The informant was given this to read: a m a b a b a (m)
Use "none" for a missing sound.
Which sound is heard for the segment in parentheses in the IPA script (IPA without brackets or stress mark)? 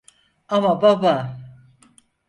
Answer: none